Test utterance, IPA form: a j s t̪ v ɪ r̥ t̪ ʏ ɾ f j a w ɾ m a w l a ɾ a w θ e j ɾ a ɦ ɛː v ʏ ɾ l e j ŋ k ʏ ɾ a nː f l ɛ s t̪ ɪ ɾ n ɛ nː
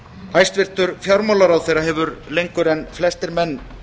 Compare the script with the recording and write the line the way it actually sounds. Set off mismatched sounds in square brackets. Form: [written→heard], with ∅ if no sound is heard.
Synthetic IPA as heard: a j s t̪ v ɪ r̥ t̪ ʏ ɾ f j a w ɾ m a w l a ɾ a w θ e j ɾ a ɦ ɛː v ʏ ɾ l e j ŋ k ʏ ɾ [a→ɛ] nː f l ɛ s t̪ ɪ ɾ [n→m] ɛ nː